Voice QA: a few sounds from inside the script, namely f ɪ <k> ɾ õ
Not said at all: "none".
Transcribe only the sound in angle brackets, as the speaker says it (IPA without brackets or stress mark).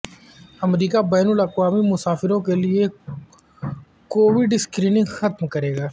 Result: none